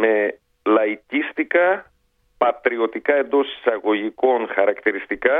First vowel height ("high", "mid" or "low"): mid